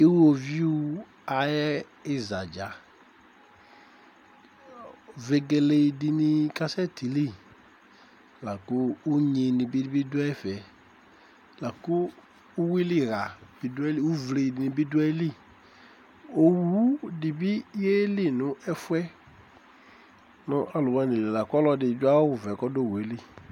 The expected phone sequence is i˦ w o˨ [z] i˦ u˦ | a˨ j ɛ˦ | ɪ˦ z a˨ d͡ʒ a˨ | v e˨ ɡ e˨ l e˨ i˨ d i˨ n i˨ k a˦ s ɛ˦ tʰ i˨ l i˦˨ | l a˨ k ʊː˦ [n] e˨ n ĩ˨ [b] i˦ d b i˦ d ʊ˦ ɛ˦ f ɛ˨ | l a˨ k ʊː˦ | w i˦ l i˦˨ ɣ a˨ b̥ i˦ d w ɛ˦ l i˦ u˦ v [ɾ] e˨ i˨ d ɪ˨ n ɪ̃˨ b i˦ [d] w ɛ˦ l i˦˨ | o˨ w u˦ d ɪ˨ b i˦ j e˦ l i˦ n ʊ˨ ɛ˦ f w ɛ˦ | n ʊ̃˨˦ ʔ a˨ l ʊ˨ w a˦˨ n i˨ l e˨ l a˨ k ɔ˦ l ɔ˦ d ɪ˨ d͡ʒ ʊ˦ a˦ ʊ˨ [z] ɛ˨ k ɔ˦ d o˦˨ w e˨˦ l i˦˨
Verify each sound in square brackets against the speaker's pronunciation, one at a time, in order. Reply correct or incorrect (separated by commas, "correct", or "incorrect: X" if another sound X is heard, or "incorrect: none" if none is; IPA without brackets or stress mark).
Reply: incorrect: v, incorrect: ɲ, correct, incorrect: l, correct, incorrect: v